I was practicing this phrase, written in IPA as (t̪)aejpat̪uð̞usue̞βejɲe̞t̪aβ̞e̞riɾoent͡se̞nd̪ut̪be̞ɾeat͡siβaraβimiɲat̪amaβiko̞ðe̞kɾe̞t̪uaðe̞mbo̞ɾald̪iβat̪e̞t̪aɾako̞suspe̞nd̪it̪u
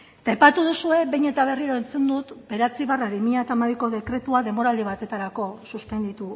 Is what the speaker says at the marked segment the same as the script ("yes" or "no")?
yes